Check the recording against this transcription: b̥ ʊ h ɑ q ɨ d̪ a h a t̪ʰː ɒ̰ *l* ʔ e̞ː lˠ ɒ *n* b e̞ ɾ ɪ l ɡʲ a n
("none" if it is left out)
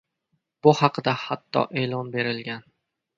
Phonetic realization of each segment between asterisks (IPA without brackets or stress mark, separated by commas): none, n